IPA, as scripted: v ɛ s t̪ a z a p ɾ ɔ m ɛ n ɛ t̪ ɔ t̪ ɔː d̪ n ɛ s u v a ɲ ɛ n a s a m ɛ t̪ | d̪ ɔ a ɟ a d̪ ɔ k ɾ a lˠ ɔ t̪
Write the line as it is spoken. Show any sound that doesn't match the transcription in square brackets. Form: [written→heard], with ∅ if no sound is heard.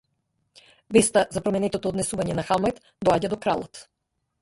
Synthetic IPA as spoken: v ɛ s t̪ a z a p ɾ ɔ m ɛ n ɛ t̪ ɔ t̪ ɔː d̪ n ɛ s u v a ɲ ɛ n a [s→x] a m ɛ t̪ | d̪ ɔ a ɟ a d̪ ɔ k ɾ a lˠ ɔ t̪

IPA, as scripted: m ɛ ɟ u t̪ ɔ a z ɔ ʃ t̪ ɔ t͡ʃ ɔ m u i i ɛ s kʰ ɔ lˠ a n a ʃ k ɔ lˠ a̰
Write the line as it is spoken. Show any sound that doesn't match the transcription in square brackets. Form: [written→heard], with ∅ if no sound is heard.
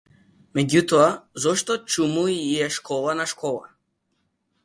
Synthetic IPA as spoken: m ɛ ɟ u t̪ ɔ a z ɔ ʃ t̪ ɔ t͡ʃ [ɔ→u] m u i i ɛ [s→ʃ] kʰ ɔ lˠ a n a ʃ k ɔ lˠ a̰

